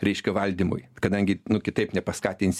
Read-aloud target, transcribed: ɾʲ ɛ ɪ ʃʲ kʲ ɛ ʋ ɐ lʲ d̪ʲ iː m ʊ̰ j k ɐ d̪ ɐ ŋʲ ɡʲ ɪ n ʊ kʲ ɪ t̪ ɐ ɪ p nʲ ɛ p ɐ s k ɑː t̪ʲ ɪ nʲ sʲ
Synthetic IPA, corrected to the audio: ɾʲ ɛ ɪ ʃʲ kʲ ɛ ʋ ɐ lʲ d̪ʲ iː m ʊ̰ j k ɐ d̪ ɐ ŋʲ ɡʲ ɪ n ʊ kʲ ɪ t̪ ɐ ɪ p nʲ ɛ p ɐ s k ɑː t̪ʲ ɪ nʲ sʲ